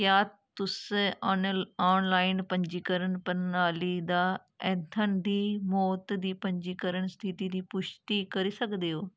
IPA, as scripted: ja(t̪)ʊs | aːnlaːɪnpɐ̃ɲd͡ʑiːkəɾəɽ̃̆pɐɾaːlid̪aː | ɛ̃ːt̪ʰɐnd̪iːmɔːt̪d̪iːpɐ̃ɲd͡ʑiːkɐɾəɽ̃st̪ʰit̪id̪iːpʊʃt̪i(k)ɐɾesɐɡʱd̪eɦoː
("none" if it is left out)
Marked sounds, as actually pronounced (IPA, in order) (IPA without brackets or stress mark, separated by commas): t̪, k